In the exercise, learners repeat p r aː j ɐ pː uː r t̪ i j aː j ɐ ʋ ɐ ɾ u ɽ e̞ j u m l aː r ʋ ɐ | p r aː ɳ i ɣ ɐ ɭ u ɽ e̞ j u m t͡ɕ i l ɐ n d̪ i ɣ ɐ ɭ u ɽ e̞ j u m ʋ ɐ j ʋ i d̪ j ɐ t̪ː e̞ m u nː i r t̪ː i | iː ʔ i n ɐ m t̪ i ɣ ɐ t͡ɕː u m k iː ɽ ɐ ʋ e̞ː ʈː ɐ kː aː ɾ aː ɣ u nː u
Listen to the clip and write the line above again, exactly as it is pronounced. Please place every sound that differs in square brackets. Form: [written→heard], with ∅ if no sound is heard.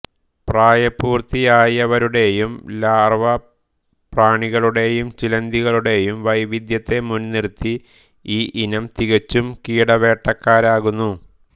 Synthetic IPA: p r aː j ɐ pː uː r t̪ i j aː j ɐ ʋ ɐ ɾ u ɽ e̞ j u m l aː r ʋ ɐ | p r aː ɳ i ɣ ɐ ɭ u ɽ e̞ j u m t͡ɕ i l ɐ n d̪ i ɣ ɐ ɭ u ɽ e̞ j u m ʋ ɐ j ʋ i d̪ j ɐ t̪ː e̞ m u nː i r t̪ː i | iː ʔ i n ɐ m t̪ i ɣ ɐ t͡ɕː u m k iː ɽ ɐ ʋ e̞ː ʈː ɐ kː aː ɾ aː ɣ u nː u